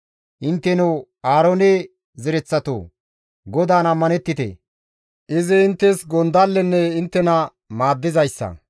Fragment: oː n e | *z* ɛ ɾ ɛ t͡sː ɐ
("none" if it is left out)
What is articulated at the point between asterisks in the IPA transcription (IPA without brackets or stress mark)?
z